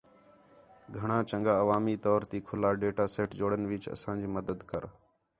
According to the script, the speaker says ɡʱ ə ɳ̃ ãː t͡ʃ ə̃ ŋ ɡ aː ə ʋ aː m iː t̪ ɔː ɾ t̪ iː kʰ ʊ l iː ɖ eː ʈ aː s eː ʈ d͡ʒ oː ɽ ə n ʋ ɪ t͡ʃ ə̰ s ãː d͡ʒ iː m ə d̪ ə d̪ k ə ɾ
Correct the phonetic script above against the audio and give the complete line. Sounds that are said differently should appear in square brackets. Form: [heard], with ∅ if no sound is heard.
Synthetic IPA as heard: ɡʱ ə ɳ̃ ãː t͡ʃ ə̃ ŋ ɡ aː ə ʋ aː m iː t̪ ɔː ɾ t̪ iː kʰ ʊ l [aː] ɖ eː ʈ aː s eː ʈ d͡ʒ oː ɽ ə n ʋ ɪ t͡ʃ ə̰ s ãː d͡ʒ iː m ə d̪ ə d̪ k ə ɾ